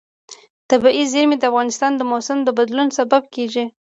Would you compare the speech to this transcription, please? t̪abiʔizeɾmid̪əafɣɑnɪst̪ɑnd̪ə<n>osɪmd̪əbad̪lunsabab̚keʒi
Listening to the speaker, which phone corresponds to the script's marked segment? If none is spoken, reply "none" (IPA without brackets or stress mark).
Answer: m